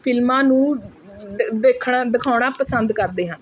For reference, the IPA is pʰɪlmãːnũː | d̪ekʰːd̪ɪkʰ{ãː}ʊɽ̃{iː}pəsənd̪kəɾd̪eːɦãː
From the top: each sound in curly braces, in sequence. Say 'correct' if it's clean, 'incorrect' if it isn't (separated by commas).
incorrect, incorrect